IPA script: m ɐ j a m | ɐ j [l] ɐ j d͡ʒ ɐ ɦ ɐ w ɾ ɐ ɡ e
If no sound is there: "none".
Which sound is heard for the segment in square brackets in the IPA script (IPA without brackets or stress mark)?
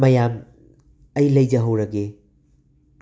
l